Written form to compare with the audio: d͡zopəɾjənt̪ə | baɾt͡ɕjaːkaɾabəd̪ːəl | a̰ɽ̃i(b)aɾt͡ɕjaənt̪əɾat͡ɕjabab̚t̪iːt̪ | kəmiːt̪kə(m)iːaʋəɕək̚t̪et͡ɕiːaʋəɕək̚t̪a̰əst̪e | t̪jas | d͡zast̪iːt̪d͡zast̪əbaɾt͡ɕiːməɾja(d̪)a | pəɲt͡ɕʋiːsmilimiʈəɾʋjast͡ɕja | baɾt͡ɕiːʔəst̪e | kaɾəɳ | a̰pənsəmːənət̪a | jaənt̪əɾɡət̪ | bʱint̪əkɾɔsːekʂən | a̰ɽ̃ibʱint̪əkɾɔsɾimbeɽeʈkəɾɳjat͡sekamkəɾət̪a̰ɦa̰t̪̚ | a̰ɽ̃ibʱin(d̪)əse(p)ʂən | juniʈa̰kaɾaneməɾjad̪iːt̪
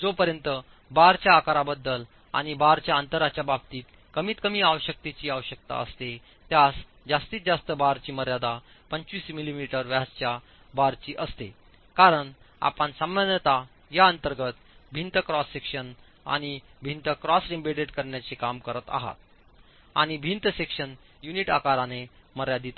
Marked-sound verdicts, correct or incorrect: correct, correct, correct, incorrect, incorrect

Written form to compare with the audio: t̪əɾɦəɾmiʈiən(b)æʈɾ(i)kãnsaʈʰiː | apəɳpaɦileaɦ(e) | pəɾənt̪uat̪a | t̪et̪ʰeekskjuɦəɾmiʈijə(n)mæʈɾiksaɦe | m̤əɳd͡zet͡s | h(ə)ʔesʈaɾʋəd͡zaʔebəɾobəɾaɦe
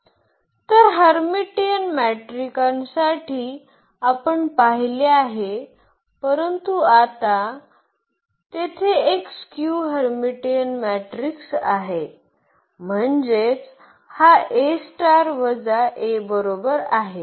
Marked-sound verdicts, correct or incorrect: incorrect, correct, correct, correct, incorrect

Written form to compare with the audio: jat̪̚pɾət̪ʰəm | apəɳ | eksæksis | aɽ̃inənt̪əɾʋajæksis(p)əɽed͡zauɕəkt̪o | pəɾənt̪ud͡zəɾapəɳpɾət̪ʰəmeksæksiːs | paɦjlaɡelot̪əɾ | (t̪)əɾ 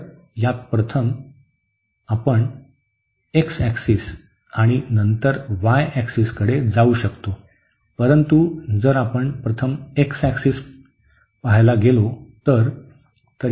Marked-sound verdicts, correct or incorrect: incorrect, correct

